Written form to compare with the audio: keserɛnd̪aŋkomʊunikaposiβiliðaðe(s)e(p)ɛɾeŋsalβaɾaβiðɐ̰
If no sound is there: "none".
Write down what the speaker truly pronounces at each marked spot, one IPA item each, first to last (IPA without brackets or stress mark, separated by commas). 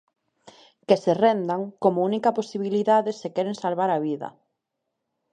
s, k